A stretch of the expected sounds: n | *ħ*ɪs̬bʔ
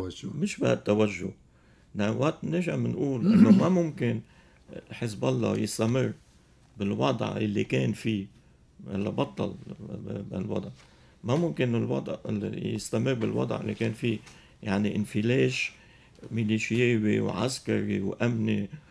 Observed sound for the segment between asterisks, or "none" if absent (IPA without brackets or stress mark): ħ